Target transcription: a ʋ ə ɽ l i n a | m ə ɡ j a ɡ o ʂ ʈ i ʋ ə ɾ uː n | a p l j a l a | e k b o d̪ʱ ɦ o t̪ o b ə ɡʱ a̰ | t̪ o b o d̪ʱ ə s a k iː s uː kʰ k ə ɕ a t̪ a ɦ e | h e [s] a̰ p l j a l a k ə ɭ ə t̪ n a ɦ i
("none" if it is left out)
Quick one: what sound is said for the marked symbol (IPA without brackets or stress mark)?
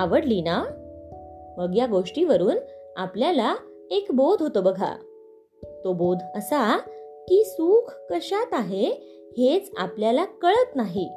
t͡s